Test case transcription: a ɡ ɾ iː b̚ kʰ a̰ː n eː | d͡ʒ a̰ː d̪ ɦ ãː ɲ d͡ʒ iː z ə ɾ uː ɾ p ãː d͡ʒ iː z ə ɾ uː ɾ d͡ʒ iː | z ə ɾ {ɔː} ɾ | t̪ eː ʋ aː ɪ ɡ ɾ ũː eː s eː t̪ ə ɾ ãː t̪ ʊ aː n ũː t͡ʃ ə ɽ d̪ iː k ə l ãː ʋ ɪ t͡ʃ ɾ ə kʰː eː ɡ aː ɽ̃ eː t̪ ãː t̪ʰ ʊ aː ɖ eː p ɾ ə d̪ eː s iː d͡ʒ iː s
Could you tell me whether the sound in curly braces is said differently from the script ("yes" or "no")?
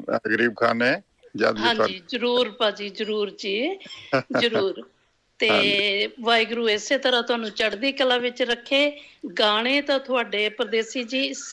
yes